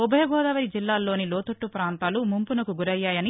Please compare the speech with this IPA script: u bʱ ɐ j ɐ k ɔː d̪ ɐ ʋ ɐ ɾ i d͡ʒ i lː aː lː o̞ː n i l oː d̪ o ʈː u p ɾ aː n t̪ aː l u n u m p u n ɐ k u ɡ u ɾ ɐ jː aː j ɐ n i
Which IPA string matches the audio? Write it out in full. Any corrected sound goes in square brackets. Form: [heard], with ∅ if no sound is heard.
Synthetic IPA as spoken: u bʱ ɐ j ɐ [ɡ] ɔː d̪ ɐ ʋ ɐ ɾ i d͡ʒ i lː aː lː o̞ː n i l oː [t̪] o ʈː u p ɾ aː n t̪ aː l u [m] u m p u n ɐ k u ɡ u ɾ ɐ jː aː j ɐ n i